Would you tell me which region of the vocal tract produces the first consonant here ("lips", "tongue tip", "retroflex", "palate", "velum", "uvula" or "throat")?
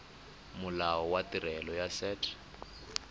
lips